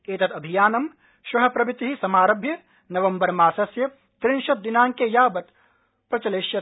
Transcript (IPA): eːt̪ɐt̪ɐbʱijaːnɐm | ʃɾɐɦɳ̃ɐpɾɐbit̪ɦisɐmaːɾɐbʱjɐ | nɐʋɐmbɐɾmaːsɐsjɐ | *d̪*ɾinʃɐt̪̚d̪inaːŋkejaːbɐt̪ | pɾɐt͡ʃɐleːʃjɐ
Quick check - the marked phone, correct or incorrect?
incorrect